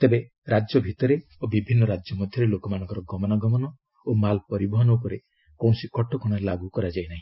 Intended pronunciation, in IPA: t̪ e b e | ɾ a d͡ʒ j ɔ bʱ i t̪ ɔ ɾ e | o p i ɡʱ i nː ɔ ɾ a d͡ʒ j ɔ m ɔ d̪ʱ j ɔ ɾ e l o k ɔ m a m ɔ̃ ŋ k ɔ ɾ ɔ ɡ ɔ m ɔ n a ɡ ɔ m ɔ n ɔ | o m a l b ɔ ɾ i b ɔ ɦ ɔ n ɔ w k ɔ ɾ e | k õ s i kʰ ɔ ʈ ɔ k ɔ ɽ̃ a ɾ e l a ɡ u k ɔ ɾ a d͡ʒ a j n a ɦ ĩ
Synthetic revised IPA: t̪ e b e | ɾ a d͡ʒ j ɔ bʱ i t̪ ɔ ɾ e | o b i bʱ i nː ɔ ɾ a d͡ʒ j ɔ m ɔ d̪ʱ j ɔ ɾ e l o k ɔ m a n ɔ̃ ŋ k ɔ ɾ ɔ ɡ ɔ m ɔ n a ɡ ɔ m ɔ n ɔ | o m a l p ɔ ɾ i b ɔ ɦ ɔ n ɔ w k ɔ ɾ e | k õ s i k ɔ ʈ ɔ k ɔ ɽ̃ a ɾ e l a ɡ u k ɔ ɾ a d͡ʒ a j n a ɦ ĩ